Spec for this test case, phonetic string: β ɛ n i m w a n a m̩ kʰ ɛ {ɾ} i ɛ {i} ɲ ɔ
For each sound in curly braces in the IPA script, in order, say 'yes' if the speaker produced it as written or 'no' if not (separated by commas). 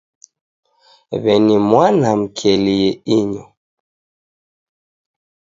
no, yes